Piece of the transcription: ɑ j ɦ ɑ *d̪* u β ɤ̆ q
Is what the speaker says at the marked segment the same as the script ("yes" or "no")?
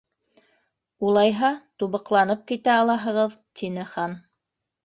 no